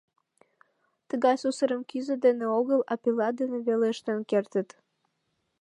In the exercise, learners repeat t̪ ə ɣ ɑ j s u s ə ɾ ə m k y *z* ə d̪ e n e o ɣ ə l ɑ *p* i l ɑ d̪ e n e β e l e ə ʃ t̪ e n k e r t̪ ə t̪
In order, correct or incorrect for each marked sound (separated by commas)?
correct, correct